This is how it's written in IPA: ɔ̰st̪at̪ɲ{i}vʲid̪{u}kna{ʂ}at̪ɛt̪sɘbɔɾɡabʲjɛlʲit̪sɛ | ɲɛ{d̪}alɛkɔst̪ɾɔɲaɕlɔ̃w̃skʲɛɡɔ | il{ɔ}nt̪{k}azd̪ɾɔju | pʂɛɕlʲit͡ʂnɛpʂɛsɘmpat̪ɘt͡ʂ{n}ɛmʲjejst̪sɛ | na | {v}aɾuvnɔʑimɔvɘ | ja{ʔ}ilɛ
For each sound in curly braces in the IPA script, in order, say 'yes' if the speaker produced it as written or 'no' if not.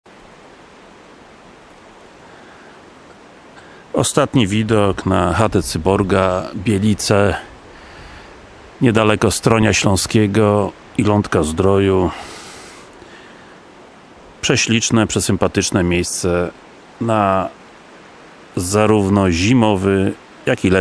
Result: yes, no, no, yes, yes, yes, yes, no, no

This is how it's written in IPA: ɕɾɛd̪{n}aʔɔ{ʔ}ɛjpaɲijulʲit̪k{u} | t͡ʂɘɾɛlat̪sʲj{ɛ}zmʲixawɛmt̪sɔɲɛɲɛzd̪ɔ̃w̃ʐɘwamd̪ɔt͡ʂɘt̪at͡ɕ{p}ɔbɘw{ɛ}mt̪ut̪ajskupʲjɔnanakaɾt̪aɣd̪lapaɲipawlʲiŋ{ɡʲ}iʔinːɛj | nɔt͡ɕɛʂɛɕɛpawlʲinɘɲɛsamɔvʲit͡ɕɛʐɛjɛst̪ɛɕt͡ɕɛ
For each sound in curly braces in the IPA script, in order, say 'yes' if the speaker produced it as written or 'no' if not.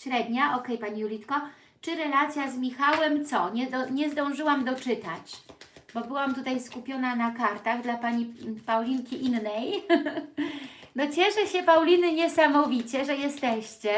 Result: no, no, no, no, no, no, no

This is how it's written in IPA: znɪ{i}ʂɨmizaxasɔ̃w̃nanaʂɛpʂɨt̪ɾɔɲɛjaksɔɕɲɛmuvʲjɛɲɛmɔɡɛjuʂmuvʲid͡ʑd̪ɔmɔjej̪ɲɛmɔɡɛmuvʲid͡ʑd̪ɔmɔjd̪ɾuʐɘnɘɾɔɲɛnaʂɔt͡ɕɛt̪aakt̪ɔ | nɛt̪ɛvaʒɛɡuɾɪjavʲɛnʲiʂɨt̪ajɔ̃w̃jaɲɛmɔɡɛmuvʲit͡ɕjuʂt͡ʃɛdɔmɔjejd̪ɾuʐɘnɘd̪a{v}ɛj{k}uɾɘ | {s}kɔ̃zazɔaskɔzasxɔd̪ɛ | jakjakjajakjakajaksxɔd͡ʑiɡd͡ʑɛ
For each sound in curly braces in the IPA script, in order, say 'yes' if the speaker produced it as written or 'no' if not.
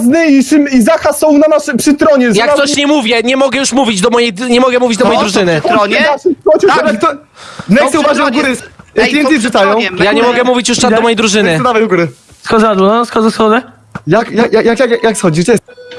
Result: yes, yes, no, yes

